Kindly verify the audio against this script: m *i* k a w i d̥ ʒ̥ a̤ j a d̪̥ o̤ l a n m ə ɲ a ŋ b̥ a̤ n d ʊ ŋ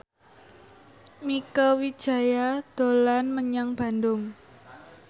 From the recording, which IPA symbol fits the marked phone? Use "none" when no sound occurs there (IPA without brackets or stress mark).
i